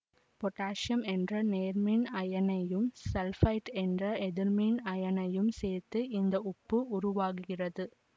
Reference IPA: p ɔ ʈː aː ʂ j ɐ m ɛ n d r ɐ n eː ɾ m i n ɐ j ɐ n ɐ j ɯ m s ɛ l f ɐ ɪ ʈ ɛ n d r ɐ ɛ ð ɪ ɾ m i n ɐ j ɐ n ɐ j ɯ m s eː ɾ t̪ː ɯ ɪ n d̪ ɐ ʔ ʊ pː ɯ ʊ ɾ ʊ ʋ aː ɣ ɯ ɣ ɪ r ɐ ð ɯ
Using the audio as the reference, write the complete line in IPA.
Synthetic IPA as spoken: p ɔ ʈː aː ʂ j ɐ m ɛ n d r ɐ n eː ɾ m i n ɐ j ɐ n ɐ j ɯ m s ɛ l f ɐ ɪ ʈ ɛ n d r ɐ ɛ ð ɪ ɾ m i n ɐ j ɐ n ɐ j ɯ m s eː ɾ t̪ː ɯ ɪ n d̪ ɐ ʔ ʊ pː ɯ ʊ ɾ ʊ ʋ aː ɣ ɯ ɣ ɪ r ɐ ð ɯ